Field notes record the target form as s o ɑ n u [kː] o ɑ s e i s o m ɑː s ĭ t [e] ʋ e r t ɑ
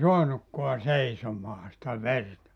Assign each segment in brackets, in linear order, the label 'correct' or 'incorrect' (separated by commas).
correct, incorrect